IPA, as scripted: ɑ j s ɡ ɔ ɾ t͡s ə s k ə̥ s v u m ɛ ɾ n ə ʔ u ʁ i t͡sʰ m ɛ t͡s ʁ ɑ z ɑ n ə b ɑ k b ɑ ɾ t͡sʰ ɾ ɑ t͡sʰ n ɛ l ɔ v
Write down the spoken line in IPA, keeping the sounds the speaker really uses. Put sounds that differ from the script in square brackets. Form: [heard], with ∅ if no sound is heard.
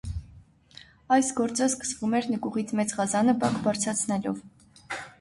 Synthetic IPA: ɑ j s ɡ ɔ ɾ t͡s ə s k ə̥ s v u m ɛ ɾ n ə [k] u ʁ i t͡sʰ m ɛ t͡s ʁ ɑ z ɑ n ə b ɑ k b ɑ ɾ t͡sʰ ɾ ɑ t͡sʰ n ɛ l ɔ v

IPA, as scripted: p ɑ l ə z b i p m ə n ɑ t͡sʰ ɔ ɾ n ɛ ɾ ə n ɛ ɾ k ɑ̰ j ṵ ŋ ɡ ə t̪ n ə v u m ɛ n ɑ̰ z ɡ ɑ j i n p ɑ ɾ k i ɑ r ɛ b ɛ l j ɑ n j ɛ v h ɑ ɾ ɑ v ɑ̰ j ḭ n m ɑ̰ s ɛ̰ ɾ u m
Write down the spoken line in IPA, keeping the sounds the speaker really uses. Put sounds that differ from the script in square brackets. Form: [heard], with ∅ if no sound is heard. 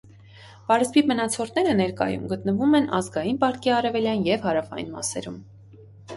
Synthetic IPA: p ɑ [ɾ] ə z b i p m ə n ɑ t͡sʰ ɔ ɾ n ɛ ɾ ə n ɛ ɾ k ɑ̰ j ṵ [m] ɡ ə t̪ n ə v u m ɛ n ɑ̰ z ɡ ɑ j i n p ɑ ɾ k i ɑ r ɛ [v] ɛ l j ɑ n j ɛ v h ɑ ɾ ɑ [f] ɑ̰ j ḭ n m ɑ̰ s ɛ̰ ɾ u m

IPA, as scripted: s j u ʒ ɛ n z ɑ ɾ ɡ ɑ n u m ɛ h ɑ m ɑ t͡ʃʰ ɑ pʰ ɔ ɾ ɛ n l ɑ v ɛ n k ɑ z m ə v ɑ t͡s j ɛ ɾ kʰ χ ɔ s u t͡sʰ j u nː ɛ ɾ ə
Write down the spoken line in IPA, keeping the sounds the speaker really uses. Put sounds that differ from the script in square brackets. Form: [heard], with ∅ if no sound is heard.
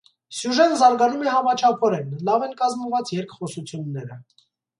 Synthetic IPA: s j u ʒ ɛ n z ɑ ɾ ɡ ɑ n u m ɛ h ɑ m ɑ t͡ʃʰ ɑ pʰ ɔ ɾ ɛ n l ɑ v ɛ n k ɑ z m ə v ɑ t͡s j ɛ ɾ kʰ χ ɔ s u t͡sʰ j u nː ɛ ɾ ə

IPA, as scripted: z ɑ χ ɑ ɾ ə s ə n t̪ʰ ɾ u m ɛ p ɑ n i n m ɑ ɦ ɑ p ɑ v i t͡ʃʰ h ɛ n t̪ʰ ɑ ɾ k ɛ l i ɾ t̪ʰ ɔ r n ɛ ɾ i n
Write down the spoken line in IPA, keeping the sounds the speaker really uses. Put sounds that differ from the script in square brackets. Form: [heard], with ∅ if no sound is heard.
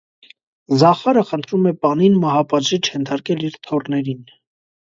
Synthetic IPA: z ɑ χ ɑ ɾ ə [χ] ə n t̪ʰ ɾ u m ɛ p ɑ n i n m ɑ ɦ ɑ p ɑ [ʒ] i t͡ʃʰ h ɛ n t̪ʰ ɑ ɾ k ɛ l i ɾ t̪ʰ ɔ r n ɛ ɾ i n

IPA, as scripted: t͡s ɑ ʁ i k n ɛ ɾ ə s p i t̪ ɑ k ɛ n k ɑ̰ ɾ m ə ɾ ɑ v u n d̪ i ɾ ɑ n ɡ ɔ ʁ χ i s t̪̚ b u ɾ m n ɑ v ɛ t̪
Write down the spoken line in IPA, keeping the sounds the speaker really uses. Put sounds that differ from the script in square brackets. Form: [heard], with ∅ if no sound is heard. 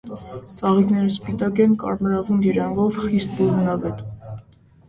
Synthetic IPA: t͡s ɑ ʁ i k n ɛ ɾ ə s p i t̪ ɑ k ɛ n k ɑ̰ ɾ m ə ɾ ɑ v u n d̪ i ɾ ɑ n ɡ ɔ [v] χ i s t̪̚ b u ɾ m n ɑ v ɛ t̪

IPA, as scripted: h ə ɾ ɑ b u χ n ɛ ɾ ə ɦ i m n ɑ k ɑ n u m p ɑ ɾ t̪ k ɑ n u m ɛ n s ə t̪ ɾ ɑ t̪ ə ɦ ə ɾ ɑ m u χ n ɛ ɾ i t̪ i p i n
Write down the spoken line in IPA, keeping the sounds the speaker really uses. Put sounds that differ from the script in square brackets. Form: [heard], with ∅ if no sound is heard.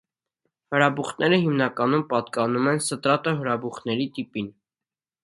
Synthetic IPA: h ə ɾ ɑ b u χ n ɛ ɾ ə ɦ i m n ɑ k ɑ n u m p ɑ [∅] t̪ k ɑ n u m ɛ n s ə t̪ ɾ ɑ t̪ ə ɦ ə ɾ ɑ [b] u χ n ɛ ɾ i t̪ i p i n

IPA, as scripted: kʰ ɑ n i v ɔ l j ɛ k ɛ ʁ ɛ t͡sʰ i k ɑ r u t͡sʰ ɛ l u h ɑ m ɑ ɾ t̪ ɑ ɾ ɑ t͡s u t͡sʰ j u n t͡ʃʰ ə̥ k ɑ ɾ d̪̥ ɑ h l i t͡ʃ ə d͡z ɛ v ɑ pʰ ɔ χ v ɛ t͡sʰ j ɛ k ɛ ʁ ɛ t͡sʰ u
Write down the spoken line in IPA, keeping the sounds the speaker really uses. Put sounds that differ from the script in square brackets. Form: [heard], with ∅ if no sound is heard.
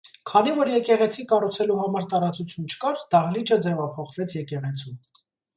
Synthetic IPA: kʰ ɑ n i v ɔ [ɾ] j ɛ k ɛ ʁ ɛ t͡sʰ i k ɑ r u t͡sʰ ɛ l u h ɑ m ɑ ɾ t̪ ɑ ɾ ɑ t͡s u t͡sʰ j u n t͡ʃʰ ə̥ k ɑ ɾ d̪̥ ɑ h l i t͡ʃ ə d͡z ɛ v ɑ pʰ ɔ χ v ɛ t͡sʰ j ɛ k ɛ ʁ ɛ t͡sʰ u

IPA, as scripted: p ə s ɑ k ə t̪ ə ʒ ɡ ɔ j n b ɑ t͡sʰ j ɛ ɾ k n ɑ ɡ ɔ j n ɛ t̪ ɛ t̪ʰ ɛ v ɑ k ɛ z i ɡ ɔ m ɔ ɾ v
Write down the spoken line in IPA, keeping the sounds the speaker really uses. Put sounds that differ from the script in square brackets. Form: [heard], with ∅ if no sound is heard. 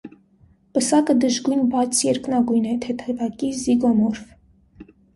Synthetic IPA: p ə s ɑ k ə [d̪] ə ʒ ɡ [u] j n b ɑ t͡sʰ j ɛ ɾ k n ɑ ɡ [u] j n ɛ [t̪ʰ] ɛ t̪ʰ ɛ v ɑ k [i] z i ɡ ɔ m ɔ ɾ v

